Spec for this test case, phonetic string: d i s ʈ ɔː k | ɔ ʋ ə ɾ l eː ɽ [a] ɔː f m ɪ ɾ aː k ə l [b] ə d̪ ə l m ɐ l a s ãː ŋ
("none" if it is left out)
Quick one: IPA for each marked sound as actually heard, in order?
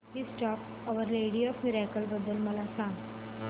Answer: i, b

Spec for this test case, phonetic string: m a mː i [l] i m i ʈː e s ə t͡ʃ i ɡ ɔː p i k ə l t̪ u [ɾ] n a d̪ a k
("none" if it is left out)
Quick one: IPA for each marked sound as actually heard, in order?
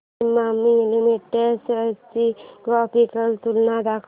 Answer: l, l

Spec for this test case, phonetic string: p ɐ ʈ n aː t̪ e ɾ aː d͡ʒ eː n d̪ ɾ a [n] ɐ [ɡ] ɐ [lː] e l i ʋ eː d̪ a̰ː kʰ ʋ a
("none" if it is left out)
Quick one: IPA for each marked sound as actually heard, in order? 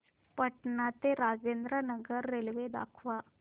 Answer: n, ɡ, ɾː

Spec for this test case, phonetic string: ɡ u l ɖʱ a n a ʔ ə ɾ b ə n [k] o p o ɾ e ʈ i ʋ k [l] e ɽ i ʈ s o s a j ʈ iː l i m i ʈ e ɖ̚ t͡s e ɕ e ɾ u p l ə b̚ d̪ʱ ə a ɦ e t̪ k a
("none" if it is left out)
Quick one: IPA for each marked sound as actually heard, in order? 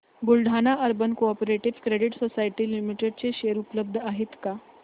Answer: k, ɾ

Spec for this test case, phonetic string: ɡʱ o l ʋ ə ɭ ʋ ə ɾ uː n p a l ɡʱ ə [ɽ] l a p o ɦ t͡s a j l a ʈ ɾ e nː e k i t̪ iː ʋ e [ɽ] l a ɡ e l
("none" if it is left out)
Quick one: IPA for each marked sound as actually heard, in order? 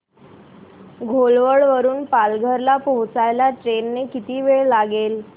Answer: ɾ, ɭ

